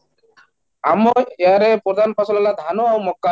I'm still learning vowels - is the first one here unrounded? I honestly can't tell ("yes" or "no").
yes